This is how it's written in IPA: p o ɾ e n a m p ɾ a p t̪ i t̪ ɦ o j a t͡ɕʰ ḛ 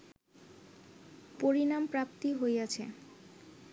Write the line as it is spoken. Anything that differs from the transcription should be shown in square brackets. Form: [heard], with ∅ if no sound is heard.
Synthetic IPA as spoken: p o ɾ [i] n a m p ɾ a p t̪ i [∅] ɦ o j a t͡ɕʰ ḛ

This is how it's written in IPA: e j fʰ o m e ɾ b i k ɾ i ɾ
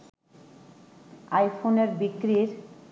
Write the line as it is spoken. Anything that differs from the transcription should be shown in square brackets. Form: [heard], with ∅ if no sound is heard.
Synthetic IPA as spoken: [a] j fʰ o [n] e ɾ b i k ɾ i ɾ

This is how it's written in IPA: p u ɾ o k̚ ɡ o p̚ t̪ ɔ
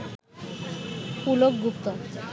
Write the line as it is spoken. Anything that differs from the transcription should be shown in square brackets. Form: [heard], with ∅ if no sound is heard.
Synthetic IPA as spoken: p u [l] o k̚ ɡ [u] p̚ t̪ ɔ

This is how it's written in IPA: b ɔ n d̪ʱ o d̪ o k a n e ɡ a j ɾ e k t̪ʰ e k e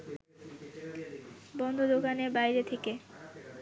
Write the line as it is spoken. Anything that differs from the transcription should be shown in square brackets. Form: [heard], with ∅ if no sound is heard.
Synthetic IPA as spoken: b ɔ n d̪ʱ o d̪ o k a n e [b] a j ɾ e [∅] t̪ʰ e k e

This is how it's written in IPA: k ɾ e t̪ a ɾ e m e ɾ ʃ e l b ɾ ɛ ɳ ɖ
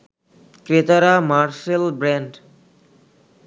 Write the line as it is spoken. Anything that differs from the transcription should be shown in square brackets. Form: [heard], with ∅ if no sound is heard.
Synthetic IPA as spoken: k ɾ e t̪ a ɾ [a] m [a] ɾ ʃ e l b ɾ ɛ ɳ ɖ

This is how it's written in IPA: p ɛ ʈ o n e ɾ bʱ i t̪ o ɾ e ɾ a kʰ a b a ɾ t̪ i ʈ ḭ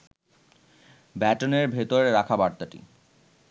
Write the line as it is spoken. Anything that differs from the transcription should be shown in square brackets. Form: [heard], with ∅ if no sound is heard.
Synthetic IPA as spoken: [b] ɛ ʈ o n e ɾ bʱ [e] t̪ o ɾ e ɾ a kʰ a b a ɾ t̪ [a] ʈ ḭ

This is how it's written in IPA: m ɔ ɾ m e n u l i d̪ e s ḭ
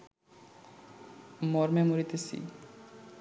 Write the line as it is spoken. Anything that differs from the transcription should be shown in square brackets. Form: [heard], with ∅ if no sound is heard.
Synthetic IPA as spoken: m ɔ ɾ m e [m] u [ɾ] i [t̪] e s ḭ

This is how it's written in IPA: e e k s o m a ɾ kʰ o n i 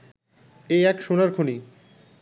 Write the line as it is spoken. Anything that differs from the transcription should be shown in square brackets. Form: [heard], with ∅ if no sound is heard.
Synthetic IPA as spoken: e [ɛ] k [ʃ] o [n] a ɾ kʰ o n i

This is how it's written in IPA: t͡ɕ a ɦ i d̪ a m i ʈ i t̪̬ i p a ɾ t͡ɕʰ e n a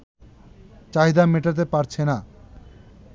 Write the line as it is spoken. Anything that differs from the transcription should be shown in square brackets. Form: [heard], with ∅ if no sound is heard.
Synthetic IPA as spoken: t͡ɕ a ɦ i d̪ a m [e] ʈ [a] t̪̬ [e] p a ɾ t͡ɕʰ e n a

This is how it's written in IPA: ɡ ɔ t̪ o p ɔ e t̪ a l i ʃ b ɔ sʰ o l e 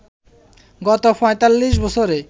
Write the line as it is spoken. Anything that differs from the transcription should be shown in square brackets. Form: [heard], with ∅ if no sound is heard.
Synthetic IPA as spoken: ɡ ɔ t̪ o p ɔ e t̪ a [lː] i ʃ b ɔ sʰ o [ɾ] e

